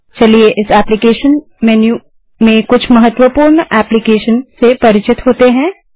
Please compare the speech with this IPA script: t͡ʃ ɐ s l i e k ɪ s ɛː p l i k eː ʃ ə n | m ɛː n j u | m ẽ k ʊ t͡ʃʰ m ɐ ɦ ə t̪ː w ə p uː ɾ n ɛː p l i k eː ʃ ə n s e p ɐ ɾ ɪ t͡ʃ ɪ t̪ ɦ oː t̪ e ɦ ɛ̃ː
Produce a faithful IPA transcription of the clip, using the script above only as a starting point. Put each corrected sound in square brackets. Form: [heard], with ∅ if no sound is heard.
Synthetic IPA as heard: t͡ʃ ɐ [∅] l i e [ʔ] ɪ s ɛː p l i k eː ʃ ə n | m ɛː n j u | m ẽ k ʊ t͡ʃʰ m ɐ ɦ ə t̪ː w ə p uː ɾ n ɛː p l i k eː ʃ ə n s e p ɐ ɾ ɪ t͡ʃ ɪ t̪ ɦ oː t̪ e ɦ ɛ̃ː